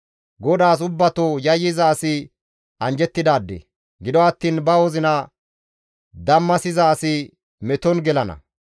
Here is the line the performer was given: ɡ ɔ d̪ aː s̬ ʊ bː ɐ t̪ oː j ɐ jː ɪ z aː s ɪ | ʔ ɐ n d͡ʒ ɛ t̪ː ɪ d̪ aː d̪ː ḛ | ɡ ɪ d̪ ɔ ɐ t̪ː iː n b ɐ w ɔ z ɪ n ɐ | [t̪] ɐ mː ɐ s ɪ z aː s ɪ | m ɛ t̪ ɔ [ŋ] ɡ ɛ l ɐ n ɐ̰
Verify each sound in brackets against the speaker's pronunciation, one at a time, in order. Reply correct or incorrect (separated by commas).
incorrect, incorrect